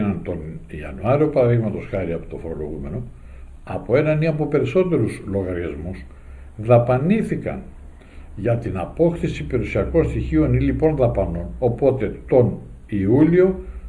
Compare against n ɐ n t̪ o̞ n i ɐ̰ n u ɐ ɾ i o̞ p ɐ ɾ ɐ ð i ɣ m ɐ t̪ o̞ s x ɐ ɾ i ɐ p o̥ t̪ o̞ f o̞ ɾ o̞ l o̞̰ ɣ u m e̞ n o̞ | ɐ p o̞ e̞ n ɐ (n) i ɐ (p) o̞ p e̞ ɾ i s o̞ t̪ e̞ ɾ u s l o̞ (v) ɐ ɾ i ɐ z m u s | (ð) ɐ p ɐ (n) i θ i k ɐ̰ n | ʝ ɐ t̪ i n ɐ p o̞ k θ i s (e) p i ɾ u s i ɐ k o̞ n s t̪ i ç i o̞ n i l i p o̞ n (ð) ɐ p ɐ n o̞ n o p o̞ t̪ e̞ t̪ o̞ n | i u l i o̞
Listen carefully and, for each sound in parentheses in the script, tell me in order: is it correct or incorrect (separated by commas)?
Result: correct, correct, incorrect, correct, correct, incorrect, correct